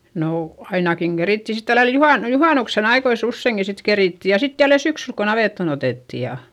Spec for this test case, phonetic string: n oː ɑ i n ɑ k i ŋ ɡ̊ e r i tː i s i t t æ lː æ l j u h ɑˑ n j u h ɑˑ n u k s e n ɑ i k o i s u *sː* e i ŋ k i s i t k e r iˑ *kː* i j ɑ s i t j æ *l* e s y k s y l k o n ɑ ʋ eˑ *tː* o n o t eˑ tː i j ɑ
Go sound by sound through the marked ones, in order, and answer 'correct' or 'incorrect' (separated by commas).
correct, incorrect, incorrect, correct